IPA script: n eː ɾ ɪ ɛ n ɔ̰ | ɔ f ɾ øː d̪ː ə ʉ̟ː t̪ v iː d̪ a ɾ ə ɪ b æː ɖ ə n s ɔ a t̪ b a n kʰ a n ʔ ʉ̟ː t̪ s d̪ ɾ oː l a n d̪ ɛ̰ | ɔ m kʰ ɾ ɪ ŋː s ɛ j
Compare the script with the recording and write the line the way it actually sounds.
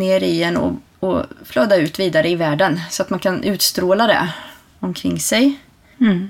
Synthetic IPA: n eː ɾ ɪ ɛ n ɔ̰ | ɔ f l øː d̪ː a ʉ̟ː t̪ v iː d̪ a ɾ ə ɪ v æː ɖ ə n s ɔ a t̪ m a n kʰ a n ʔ ʉ̟ː t̪ s t̪ ɾ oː l a d̪ ɛ̰ | ɔ m kʰ ɾ ɪ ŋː s ɛ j